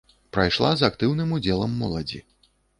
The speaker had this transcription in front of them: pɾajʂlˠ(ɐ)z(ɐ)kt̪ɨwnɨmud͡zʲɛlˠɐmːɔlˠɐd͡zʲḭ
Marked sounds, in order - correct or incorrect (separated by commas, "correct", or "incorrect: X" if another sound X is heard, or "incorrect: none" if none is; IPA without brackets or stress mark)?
incorrect: a, incorrect: a